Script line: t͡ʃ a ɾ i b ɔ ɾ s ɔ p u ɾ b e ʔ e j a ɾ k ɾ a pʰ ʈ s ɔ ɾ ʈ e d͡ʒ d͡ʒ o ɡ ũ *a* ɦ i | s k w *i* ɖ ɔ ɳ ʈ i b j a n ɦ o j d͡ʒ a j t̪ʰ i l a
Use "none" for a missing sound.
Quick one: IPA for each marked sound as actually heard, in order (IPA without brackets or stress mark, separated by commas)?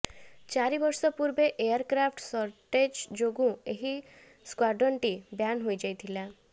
e, a